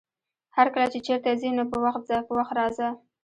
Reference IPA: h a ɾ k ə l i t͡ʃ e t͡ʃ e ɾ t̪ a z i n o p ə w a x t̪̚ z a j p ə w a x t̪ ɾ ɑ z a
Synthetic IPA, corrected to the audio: h a ɾ k ə l a t͡ʃ e t͡ʃ e ɾ t̪ a z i n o p ə w a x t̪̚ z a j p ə w a x t̪ ɾ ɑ z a